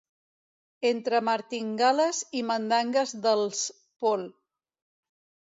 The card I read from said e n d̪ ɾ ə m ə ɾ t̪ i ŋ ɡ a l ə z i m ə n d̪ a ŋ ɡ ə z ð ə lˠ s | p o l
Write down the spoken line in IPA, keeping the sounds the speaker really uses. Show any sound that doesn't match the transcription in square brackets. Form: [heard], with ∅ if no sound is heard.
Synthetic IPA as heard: e n [t̪] ɾ ə m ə ɾ t̪ i ŋ ɡ a l ə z i m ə n d̪ a ŋ ɡ ə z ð ə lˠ s | p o l